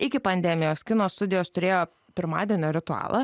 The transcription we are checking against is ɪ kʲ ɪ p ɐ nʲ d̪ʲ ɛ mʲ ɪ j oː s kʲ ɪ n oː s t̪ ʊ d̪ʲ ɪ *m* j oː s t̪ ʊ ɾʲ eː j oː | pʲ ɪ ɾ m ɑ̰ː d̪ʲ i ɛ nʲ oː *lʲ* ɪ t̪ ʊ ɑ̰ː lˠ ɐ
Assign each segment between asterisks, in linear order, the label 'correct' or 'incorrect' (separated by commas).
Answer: incorrect, incorrect